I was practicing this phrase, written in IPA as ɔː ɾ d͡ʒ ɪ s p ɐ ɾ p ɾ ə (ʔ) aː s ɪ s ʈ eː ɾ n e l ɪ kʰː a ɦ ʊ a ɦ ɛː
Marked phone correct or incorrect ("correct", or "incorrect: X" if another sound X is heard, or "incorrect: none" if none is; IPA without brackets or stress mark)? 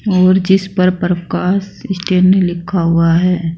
incorrect: k